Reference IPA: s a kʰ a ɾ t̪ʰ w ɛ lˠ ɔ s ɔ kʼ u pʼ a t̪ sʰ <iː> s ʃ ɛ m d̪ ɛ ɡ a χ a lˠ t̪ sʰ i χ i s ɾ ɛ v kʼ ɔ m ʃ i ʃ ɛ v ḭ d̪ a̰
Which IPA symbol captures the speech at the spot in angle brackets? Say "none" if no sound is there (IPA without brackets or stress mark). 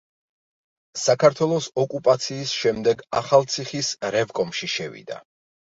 iː